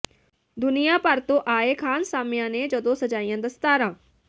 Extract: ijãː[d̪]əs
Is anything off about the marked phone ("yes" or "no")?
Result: no